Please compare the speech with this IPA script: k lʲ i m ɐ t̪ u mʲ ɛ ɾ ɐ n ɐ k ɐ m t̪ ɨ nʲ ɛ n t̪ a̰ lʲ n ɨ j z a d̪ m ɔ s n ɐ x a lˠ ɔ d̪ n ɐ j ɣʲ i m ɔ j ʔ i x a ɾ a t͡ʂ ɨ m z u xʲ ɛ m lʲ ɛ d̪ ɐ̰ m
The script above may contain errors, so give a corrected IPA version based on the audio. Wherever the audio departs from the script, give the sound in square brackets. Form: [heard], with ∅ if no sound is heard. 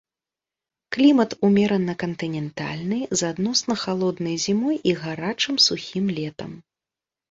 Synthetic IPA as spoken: k lʲ i m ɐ t̪ u mʲ ɛ ɾ ɐ n ɐ k ɐ [n] t̪ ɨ nʲ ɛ n t̪ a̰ lʲ n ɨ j z a d̪ [n] ɔ s n ɐ x a lˠ ɔ d̪ n ɐ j [zʲ] i m ɔ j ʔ i [ɣ] a ɾ a t͡ʂ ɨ m [s] u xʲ [i] m lʲ ɛ [t̪] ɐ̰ m